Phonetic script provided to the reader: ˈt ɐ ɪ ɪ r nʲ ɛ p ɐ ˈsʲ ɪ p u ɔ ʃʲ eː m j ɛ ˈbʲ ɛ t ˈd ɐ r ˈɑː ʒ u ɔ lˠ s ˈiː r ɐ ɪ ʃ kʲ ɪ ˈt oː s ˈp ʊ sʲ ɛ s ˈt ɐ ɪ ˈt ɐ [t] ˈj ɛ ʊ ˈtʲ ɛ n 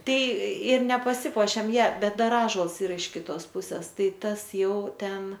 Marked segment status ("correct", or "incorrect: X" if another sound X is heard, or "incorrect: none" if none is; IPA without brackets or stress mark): incorrect: s